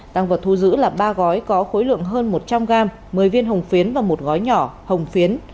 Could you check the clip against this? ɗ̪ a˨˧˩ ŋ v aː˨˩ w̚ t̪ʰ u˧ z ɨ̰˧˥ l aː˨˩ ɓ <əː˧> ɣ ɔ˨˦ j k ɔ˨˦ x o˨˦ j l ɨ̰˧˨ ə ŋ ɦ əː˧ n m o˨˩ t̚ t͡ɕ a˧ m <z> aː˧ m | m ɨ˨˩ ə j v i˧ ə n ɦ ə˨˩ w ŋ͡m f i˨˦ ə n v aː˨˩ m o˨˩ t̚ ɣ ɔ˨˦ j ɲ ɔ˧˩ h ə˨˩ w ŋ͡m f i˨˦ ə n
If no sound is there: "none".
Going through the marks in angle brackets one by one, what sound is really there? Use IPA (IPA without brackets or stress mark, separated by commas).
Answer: aː˧, ɣ